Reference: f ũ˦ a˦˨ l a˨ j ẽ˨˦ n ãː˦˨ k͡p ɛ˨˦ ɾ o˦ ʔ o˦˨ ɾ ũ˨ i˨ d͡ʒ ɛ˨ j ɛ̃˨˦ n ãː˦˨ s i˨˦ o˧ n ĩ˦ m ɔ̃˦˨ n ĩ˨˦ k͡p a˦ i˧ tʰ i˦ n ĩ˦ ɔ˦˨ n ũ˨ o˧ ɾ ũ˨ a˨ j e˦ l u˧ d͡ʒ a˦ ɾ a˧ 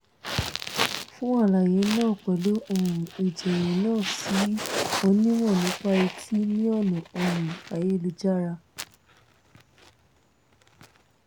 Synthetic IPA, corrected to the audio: f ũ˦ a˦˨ l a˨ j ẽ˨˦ n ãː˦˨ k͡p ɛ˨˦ l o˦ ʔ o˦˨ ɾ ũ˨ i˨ d͡ʒ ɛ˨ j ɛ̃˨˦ n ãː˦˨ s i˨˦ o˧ n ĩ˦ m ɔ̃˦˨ n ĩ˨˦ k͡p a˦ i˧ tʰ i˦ n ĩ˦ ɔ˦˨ n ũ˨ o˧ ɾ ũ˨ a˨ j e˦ l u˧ d͡ʒ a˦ ɾ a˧